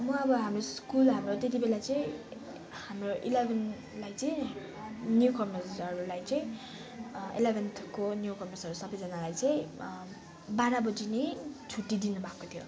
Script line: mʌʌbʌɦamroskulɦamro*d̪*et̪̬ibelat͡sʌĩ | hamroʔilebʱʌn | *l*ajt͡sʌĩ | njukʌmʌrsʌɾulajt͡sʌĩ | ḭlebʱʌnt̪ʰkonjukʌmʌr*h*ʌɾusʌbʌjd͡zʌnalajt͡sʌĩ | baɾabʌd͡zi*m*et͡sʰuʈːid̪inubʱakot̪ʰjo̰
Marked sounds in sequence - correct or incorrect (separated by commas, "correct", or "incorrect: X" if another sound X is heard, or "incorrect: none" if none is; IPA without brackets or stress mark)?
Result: incorrect: t̪, correct, incorrect: s, incorrect: n